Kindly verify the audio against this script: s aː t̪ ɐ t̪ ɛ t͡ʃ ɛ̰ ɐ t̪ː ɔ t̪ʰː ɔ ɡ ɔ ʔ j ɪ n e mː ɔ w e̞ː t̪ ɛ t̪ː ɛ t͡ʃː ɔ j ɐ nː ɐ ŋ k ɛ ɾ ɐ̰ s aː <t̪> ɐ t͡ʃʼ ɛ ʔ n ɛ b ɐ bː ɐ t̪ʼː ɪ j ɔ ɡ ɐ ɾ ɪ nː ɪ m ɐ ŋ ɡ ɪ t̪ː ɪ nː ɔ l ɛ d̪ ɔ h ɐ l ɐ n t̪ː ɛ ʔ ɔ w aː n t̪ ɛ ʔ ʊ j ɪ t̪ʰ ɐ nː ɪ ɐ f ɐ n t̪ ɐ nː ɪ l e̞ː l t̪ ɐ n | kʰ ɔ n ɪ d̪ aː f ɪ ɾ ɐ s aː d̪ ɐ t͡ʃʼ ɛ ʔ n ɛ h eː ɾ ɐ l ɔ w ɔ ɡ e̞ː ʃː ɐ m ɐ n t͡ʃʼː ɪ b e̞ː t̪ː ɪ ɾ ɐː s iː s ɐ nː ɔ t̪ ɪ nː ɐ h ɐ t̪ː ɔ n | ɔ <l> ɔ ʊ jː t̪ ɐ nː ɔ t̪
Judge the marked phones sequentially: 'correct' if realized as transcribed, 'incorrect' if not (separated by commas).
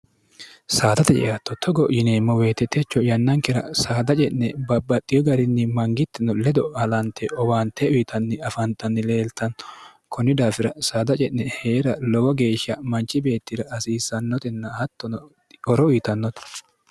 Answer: incorrect, incorrect